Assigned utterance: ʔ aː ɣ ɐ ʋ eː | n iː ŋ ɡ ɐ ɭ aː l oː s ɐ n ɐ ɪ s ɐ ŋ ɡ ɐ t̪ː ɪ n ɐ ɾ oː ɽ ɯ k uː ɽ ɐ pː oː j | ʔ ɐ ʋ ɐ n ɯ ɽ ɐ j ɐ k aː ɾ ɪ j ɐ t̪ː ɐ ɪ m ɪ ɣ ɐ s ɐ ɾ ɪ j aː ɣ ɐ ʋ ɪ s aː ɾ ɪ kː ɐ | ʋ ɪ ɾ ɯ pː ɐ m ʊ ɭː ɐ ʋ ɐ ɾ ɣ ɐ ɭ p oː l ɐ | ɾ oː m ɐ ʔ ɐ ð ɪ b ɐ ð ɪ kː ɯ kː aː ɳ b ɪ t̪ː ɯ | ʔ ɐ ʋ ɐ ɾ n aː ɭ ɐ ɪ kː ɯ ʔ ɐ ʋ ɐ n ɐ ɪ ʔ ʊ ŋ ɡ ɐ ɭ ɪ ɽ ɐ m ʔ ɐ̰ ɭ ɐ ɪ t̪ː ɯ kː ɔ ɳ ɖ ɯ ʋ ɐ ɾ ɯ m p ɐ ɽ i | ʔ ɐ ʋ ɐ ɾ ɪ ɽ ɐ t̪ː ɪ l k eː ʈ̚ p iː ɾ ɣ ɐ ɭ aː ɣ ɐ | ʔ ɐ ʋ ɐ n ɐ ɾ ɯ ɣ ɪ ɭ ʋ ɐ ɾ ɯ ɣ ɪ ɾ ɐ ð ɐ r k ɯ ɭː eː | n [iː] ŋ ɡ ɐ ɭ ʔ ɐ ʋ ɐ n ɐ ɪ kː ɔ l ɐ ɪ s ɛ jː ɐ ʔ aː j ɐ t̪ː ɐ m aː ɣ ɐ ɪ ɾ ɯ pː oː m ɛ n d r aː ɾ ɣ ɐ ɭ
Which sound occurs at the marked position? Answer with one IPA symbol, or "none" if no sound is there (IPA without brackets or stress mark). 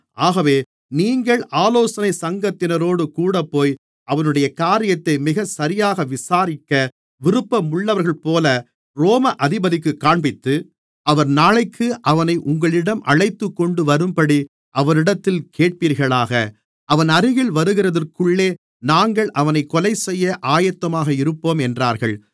aː